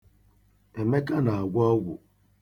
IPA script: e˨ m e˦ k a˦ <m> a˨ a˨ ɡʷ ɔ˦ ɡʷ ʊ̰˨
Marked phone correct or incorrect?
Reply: incorrect